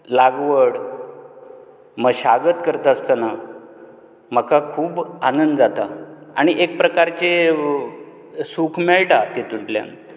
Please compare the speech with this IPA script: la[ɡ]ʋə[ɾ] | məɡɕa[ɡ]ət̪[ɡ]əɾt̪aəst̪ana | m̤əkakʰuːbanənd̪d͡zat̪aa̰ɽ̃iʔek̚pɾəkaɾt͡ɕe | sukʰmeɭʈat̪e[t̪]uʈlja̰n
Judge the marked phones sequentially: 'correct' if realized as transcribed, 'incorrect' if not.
correct, incorrect, correct, incorrect, correct

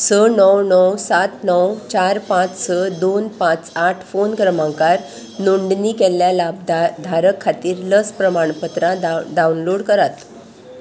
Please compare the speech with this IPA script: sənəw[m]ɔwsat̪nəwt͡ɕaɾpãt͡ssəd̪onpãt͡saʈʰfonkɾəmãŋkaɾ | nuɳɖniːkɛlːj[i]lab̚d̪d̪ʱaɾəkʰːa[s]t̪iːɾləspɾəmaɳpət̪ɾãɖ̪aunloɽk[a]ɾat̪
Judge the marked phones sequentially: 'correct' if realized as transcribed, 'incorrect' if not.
incorrect, incorrect, incorrect, incorrect

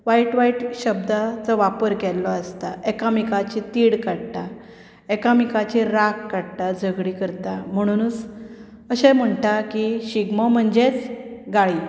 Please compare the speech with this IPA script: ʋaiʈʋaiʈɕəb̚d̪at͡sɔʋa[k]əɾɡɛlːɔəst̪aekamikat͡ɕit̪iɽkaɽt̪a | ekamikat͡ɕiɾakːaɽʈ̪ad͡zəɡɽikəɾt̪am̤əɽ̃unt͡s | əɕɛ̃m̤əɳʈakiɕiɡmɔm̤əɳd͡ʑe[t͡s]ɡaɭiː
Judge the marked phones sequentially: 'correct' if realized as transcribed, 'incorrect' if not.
incorrect, correct

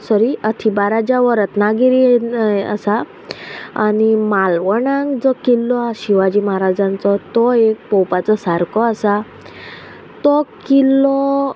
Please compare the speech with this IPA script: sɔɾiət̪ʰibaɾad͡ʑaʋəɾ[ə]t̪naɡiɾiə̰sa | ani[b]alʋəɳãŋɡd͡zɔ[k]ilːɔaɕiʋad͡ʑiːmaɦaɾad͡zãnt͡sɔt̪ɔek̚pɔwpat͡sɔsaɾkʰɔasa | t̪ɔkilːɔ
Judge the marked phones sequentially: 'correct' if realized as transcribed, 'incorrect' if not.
correct, incorrect, correct

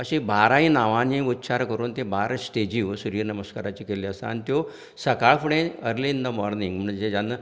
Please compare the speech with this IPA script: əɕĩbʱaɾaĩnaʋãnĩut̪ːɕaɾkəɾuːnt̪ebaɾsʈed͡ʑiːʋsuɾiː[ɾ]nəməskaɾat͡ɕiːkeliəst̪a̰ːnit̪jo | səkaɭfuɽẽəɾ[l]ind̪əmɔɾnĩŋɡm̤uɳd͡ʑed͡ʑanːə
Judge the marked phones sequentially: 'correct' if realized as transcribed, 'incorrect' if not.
correct, correct

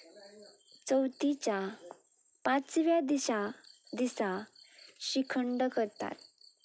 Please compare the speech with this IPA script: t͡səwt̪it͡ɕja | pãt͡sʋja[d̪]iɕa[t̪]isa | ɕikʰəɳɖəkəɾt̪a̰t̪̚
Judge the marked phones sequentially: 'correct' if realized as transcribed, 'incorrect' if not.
correct, incorrect

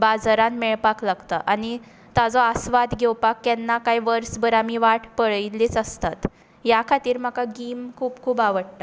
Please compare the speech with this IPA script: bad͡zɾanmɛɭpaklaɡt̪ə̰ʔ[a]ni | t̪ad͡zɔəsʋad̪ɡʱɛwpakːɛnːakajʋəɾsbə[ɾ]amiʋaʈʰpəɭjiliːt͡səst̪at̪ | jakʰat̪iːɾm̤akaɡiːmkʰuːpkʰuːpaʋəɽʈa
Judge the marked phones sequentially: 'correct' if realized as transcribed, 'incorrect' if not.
correct, correct

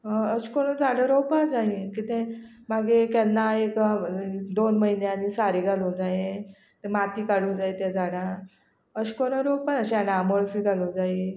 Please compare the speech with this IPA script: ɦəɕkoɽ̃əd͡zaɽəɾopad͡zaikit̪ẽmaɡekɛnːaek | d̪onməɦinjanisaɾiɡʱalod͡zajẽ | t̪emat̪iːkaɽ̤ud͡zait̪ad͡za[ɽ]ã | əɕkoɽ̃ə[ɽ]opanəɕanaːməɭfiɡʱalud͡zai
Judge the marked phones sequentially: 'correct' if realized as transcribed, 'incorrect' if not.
correct, incorrect

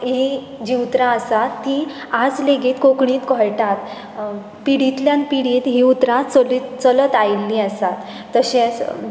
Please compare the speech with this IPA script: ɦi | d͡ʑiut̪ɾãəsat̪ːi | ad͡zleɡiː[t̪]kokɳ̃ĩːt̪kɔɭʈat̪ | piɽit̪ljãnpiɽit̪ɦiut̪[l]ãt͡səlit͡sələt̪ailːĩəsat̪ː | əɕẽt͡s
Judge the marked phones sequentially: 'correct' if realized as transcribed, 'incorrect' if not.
correct, incorrect

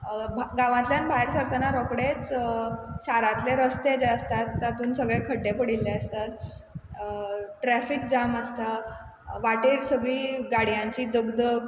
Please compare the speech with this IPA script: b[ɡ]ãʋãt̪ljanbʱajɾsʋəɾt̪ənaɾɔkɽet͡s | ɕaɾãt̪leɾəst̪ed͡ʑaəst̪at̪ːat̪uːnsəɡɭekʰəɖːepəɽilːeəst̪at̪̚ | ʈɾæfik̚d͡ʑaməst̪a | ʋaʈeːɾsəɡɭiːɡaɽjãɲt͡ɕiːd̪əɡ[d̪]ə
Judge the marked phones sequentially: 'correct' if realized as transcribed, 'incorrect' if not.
correct, correct

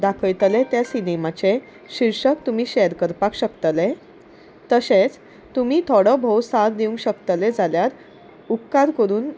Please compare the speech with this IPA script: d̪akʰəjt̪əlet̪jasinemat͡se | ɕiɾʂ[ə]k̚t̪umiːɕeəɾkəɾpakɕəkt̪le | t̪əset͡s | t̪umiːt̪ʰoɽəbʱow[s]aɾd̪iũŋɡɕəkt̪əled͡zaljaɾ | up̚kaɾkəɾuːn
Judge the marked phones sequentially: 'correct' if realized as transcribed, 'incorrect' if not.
correct, correct

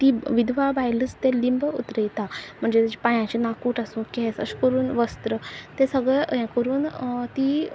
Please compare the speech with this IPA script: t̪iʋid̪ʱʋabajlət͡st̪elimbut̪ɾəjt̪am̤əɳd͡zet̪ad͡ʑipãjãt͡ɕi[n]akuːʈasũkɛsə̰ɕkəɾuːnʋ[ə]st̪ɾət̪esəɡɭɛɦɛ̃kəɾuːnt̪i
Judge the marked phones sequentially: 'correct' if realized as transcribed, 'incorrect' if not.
correct, correct

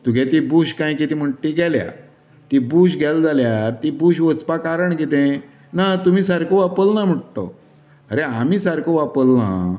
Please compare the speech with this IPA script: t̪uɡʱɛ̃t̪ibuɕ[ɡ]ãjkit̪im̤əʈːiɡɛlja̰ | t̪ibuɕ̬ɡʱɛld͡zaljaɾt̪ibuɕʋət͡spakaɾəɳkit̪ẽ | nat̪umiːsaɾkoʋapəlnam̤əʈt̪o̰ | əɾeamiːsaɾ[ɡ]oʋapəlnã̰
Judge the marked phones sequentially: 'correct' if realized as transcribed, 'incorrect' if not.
incorrect, incorrect

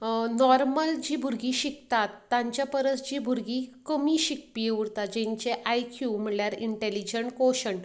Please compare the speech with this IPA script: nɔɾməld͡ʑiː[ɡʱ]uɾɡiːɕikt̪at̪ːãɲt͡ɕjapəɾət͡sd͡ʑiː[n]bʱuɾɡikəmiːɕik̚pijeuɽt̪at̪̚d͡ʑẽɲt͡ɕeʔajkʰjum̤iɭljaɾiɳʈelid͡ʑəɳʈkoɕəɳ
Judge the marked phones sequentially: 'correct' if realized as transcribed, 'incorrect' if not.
incorrect, incorrect

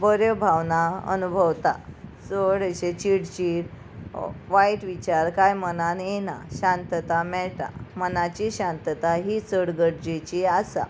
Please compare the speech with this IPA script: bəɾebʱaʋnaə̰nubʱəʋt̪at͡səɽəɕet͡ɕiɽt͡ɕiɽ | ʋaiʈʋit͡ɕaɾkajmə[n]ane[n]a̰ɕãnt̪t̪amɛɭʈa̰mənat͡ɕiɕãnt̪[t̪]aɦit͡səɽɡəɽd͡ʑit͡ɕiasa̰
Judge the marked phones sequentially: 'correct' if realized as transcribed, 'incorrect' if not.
correct, correct, correct

